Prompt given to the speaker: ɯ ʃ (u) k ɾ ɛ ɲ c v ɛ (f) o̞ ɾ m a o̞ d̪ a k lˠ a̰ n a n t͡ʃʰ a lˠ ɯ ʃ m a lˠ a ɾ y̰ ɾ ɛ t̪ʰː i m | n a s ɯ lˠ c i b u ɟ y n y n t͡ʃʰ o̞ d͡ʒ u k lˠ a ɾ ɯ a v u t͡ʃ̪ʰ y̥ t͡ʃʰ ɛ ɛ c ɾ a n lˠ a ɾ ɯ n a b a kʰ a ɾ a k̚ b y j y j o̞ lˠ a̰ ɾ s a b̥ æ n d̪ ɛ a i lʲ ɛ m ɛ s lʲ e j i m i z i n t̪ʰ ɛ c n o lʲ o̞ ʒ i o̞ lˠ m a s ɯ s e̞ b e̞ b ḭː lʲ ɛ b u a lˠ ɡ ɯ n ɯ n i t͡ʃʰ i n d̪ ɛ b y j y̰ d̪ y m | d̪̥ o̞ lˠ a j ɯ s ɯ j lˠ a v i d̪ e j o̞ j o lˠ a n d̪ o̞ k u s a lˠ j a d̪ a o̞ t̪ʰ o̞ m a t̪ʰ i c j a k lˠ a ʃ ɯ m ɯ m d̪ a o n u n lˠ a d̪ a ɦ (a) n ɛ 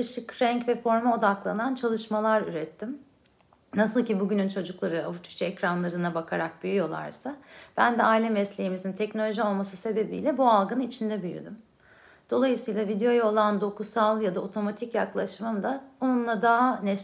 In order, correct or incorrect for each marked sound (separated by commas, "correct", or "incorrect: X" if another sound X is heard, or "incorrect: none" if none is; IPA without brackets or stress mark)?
incorrect: ɯ, correct, correct